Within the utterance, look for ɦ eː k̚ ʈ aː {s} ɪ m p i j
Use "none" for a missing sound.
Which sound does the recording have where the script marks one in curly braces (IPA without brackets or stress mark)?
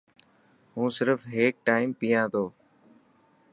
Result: none